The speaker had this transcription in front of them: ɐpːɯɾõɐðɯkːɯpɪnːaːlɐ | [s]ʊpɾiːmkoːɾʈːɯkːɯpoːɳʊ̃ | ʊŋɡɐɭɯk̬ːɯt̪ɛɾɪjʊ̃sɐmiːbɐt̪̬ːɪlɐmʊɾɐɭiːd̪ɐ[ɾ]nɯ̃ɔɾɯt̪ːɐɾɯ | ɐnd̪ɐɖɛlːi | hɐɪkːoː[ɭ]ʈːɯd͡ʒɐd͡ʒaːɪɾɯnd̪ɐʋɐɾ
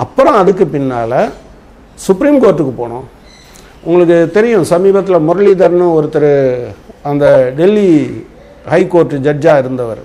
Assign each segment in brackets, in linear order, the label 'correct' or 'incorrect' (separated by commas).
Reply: correct, correct, incorrect